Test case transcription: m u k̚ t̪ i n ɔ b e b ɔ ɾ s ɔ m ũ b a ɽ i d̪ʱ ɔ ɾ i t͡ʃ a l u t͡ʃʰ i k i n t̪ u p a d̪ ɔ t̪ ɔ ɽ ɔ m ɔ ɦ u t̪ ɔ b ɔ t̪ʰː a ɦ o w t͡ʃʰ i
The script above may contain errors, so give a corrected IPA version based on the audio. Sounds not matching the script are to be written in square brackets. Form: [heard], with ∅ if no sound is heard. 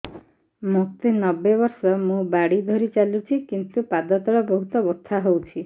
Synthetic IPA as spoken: m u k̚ t̪ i n ɔ b e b ɔ ɾ s ɔ m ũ b a ɽ i d̪ʱ ɔ ɾ i t͡ʃ a l u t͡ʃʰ i k i n t̪ u p a d̪ ɔ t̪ ɔ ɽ ɔ [b] ɔ ɦ u t̪ ɔ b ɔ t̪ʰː a ɦ o w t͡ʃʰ i